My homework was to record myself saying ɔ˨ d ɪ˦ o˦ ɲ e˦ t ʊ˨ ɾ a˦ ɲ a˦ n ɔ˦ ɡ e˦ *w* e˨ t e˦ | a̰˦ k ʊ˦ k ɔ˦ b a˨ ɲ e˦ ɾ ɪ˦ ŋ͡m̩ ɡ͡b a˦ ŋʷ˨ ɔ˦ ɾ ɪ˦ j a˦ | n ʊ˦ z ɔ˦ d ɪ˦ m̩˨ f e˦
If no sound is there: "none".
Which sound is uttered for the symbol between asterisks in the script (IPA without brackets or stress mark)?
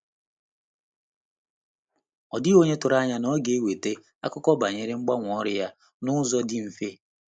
w